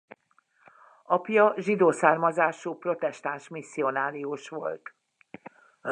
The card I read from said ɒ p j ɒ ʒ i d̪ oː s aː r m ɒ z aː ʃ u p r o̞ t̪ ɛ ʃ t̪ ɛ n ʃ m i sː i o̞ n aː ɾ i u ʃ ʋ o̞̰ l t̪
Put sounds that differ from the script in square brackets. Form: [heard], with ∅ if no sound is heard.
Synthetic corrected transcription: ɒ p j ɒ ʒ i d̪ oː s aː r m ɒ z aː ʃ u p r o̞ t̪ ɛ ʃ t̪ [a] n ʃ m i sː i o̞ n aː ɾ i u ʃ ʋ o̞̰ l t̪